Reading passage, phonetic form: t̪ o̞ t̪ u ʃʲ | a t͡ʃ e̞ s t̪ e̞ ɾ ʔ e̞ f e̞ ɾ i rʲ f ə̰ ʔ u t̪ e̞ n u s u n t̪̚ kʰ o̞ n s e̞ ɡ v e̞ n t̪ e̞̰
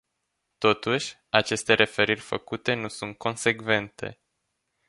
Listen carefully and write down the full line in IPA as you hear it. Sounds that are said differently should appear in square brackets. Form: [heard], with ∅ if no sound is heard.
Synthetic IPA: t̪ o̞ t̪ u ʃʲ | a t͡ʃ e̞ s t̪ e̞ ɾ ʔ e̞ f e̞ ɾ i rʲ f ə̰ [k] u t̪ e̞ n u s u n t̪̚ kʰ o̞ n s e̞ ɡ v e̞ n t̪ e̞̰